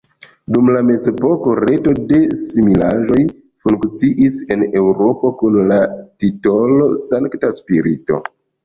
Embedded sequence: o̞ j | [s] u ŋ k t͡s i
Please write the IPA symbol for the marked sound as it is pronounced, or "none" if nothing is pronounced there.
f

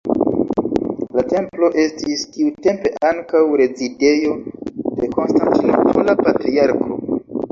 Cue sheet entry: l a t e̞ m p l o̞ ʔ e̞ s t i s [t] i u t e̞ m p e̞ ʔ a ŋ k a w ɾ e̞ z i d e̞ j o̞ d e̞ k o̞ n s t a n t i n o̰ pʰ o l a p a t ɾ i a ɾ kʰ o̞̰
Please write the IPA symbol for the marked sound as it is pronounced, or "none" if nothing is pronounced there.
k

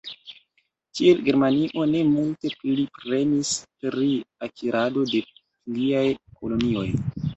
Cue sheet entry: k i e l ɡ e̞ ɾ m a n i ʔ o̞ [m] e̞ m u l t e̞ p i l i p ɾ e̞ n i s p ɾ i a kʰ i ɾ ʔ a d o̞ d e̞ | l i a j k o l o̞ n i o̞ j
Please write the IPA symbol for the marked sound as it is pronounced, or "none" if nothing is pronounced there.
n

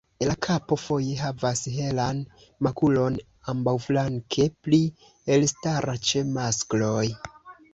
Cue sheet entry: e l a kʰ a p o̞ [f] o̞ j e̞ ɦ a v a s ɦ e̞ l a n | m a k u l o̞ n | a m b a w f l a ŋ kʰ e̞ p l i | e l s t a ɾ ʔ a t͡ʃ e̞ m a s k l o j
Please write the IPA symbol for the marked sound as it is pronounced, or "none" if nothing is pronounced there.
f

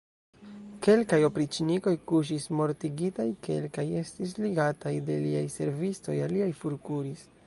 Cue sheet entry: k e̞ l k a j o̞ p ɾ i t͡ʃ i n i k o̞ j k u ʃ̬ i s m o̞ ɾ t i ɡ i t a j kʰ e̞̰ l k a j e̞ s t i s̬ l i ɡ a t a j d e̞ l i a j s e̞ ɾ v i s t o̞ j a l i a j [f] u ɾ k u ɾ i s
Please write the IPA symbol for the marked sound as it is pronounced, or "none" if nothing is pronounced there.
f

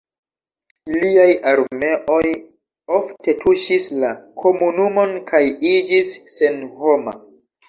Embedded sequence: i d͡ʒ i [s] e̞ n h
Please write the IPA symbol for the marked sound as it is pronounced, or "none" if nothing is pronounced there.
sː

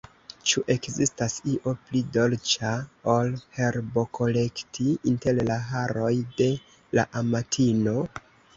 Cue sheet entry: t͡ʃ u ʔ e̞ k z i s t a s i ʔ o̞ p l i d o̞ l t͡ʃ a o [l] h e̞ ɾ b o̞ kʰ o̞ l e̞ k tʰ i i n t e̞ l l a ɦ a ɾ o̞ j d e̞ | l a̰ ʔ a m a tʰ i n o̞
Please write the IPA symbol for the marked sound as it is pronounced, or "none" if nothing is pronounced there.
l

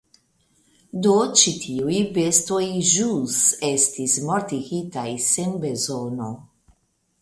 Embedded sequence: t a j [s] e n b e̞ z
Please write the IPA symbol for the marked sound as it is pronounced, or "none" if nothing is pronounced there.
s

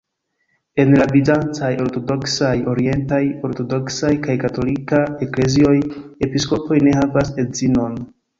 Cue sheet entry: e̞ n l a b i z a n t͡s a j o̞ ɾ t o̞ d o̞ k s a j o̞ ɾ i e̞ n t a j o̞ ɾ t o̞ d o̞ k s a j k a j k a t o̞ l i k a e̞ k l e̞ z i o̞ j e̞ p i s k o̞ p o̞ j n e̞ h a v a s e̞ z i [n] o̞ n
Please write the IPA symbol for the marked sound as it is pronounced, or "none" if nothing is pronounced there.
n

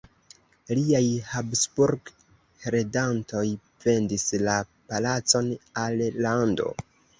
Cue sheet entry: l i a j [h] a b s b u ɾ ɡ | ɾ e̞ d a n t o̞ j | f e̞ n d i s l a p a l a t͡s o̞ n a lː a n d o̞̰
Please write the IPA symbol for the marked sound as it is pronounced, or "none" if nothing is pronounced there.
h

